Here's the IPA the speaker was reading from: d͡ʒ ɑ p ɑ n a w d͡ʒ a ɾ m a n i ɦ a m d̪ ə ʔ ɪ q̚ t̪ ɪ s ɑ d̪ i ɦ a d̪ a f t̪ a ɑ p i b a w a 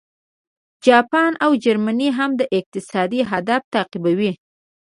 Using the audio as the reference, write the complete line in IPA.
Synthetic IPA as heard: d͡ʒ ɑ p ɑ n a w d͡ʒ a ɾ m a n i ɦ a m d̪ ə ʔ ɪ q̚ t̪ ɪ s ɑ d̪ i ɦ a d̪ a f t̪ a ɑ q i b a w i